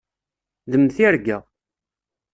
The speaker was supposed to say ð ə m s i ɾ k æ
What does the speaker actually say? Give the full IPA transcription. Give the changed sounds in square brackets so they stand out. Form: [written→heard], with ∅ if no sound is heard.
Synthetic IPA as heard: ð ə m [s→θ] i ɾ [k→ɡ] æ